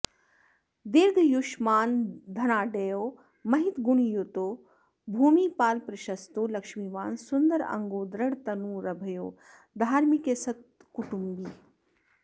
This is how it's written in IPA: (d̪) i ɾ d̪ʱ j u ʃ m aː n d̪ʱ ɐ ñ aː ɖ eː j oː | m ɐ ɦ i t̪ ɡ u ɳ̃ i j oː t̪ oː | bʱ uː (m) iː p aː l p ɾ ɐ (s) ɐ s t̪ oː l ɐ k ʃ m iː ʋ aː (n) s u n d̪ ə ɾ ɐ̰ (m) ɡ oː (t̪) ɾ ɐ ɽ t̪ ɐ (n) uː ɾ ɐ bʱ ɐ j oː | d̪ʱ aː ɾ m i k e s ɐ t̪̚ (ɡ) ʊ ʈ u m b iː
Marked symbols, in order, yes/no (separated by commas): yes, yes, no, yes, no, no, yes, no